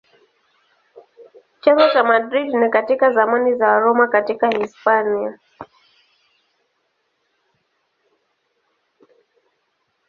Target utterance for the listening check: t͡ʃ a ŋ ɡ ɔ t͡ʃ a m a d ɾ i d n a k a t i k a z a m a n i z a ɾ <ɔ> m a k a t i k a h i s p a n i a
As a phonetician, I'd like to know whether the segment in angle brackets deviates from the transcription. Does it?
no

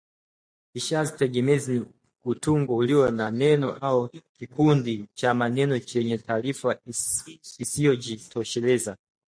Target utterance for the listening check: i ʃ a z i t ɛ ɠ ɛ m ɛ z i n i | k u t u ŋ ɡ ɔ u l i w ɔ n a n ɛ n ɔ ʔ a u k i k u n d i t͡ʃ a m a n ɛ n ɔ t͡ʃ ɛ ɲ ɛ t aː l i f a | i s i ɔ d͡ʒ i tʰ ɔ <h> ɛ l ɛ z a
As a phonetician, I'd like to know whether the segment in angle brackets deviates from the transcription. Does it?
yes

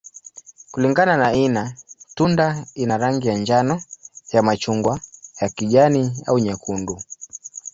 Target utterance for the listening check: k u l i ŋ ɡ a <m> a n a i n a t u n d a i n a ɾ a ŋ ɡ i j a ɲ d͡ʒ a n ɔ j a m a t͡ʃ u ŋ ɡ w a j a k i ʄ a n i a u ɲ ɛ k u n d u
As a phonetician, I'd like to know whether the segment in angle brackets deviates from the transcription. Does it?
yes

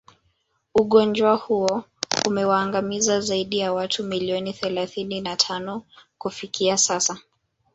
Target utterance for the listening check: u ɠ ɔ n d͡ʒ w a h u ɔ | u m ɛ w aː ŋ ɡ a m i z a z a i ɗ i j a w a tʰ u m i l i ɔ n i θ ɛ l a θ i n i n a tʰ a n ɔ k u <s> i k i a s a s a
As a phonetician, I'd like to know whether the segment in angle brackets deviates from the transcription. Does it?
yes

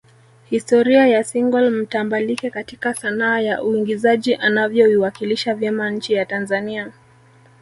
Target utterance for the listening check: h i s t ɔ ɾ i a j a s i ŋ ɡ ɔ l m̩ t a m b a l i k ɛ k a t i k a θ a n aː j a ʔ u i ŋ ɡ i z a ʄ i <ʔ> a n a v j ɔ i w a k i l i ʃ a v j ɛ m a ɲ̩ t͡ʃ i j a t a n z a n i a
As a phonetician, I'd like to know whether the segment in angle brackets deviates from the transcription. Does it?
no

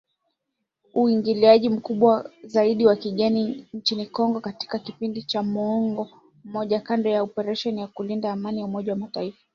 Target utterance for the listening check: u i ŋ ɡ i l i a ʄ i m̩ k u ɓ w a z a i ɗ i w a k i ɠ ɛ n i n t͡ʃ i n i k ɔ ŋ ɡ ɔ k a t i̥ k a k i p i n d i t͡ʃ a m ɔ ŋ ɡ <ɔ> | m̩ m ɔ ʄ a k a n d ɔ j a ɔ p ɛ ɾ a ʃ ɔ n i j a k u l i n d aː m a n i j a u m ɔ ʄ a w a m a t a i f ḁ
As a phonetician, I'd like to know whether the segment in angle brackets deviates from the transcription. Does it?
no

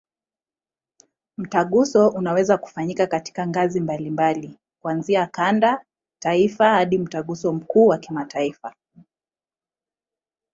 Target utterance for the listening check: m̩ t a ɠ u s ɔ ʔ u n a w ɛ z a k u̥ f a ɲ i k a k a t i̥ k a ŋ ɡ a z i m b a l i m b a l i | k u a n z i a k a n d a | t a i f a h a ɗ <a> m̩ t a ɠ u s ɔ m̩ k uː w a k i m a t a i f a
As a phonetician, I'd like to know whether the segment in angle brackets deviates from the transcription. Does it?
yes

